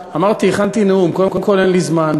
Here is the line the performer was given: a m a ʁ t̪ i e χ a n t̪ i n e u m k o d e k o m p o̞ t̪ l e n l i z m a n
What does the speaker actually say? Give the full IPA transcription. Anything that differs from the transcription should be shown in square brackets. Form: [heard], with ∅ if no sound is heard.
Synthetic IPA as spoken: a m a ʁ t̪ i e χ a n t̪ i n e u m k o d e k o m [k] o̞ [∅] l e n l i z m a n